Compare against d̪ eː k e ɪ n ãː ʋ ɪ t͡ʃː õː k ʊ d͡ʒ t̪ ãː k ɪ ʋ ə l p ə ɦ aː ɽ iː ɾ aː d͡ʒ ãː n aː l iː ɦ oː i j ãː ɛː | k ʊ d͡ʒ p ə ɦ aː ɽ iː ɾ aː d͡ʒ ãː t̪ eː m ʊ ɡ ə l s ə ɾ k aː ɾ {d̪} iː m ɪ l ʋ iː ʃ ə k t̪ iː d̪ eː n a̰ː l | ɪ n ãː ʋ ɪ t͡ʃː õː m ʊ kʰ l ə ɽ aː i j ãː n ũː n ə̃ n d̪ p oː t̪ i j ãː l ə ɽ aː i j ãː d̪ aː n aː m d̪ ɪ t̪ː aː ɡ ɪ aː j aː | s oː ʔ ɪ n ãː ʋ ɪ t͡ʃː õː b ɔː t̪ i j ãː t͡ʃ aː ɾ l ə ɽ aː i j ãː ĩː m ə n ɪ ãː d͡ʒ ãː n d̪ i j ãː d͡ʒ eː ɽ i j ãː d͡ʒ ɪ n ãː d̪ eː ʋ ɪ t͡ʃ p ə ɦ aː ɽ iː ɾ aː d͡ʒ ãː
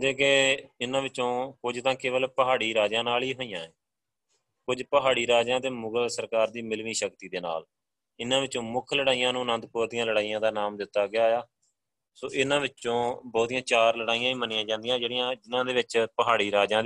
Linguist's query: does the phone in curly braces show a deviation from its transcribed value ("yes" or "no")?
no